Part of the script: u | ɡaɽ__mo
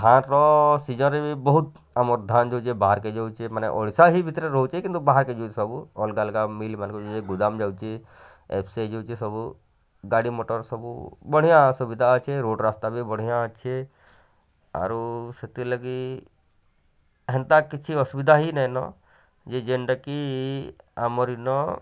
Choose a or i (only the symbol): i